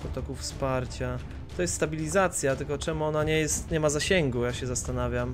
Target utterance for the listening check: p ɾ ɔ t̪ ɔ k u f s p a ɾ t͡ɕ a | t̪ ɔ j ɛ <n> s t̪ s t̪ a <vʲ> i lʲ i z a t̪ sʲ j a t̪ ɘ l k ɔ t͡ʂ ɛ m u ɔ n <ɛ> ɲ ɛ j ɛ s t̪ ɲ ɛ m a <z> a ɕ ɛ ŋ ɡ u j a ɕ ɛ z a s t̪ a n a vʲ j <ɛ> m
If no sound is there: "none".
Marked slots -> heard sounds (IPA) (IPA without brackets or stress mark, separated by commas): none, bʲ, a, z, a